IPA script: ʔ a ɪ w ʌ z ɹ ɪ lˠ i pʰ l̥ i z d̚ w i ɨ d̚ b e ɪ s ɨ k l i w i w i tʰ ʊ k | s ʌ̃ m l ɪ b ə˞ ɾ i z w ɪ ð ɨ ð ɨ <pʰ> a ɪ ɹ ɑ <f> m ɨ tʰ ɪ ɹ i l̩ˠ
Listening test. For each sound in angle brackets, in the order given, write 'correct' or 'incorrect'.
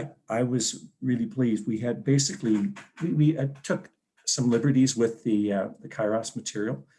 incorrect, incorrect

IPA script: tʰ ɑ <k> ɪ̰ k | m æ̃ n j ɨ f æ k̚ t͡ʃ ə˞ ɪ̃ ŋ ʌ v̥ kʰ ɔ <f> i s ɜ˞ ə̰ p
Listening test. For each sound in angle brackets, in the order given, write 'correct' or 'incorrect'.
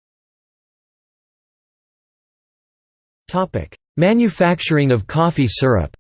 incorrect, correct

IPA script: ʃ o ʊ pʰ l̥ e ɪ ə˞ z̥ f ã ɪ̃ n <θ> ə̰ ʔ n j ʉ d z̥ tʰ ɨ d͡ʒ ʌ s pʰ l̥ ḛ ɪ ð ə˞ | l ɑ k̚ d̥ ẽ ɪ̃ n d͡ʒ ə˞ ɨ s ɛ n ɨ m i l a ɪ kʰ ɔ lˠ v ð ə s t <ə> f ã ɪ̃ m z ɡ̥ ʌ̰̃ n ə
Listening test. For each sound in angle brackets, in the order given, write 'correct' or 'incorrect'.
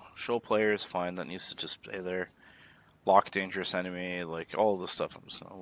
incorrect, incorrect

